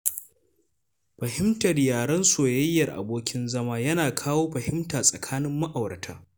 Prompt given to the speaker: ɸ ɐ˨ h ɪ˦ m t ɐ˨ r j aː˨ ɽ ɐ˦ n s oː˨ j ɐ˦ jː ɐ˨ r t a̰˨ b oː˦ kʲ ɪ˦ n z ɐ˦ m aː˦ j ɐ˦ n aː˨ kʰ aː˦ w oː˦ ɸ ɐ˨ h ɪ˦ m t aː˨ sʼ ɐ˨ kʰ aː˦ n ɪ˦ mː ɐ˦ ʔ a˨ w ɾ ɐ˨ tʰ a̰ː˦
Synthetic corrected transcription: ɸ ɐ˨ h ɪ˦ m t ɐ˨ r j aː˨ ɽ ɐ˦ n s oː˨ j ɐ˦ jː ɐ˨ r ʔ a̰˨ b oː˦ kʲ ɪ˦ n z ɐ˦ m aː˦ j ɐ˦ n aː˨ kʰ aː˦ w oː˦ ɸ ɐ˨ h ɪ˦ m t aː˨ sʼ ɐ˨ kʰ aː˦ n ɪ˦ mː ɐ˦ ʔ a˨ w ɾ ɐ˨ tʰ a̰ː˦